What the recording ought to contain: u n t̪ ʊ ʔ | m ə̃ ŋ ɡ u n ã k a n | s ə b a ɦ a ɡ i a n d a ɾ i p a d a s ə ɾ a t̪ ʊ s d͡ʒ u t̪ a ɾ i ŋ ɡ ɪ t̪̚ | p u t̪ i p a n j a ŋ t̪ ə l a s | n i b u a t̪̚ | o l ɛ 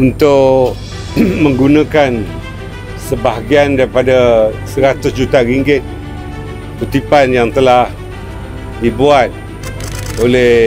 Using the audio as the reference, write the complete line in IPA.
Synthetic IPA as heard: u n t̪ ʊ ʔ | m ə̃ ŋ ɡ u n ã k a n | s ə b a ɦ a ɡ i a n d a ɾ i p a d a s ə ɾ a t̪ ʊ s d͡ʒ u t̪ a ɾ i ŋ ɡ ɪ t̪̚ | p u t̪ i p a n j a ŋ t̪ ə l a h | d i b u a t̪̚ | o l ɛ